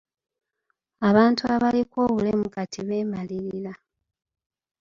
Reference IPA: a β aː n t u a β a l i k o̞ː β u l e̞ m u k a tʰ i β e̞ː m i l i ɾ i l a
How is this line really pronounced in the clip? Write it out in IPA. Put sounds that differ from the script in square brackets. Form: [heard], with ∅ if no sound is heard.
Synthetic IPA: a β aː n t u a β a l i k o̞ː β u l e̞ m u k a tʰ i β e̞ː m [a] l i ɾ i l a